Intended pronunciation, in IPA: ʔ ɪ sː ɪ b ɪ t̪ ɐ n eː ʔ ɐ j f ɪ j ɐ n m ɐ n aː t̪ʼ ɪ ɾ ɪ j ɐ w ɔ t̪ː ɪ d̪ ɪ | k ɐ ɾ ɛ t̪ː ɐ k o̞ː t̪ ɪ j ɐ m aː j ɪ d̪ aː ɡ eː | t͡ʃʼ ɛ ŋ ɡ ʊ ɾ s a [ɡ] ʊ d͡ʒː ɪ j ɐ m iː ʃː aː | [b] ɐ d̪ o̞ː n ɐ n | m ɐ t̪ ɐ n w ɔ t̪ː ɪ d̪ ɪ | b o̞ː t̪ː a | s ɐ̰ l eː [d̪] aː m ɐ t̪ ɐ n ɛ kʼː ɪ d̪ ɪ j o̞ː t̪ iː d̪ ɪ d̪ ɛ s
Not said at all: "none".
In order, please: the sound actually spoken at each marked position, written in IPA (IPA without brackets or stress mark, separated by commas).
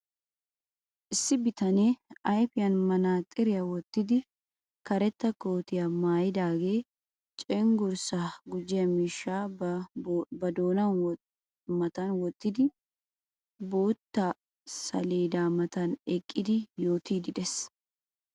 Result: ɡ, b, d̪